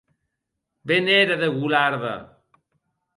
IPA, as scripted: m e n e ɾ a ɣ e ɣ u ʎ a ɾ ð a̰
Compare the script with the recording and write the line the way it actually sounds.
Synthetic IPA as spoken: b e n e ɾ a ð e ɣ u l a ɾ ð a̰